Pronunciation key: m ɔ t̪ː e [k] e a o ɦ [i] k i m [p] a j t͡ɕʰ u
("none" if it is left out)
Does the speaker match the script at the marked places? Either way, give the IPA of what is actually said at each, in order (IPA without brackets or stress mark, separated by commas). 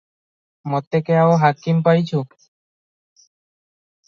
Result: k, a, p